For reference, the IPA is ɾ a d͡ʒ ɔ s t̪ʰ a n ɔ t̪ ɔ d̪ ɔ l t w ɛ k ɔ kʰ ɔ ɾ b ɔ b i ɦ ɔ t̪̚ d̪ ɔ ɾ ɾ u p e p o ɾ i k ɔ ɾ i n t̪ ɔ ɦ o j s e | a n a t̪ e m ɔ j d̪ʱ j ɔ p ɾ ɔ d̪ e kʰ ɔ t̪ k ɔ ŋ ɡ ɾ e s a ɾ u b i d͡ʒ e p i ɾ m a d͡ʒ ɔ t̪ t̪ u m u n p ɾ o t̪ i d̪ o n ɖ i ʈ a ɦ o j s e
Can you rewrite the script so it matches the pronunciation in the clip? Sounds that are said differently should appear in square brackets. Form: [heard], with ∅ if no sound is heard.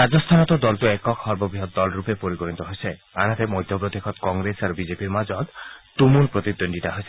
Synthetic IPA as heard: ɾ a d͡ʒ ɔ s t̪ʰ a n ɔ t̪ ɔ d̪ ɔ l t [u] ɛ k ɔ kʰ ɔ ɾ b ɔ b i ɦ ɔ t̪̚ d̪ ɔ [l] ɾ u p e p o ɾ i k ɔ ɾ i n t̪ ɔ ɦ o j s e | a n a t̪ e m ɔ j d̪ʱ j ɔ p ɾ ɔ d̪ e kʰ ɔ t̪ k ɔ ŋ ɡ ɾ e s a ɾ u b i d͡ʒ e p i ɾ m a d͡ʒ ɔ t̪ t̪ u m u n p ɾ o t̪ i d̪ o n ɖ i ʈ a ɦ o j s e